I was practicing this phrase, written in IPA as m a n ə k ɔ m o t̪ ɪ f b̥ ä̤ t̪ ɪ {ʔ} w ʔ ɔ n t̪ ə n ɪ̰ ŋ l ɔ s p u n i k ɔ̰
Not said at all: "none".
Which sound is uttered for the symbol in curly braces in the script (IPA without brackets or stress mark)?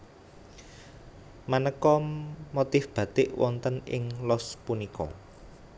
ʔ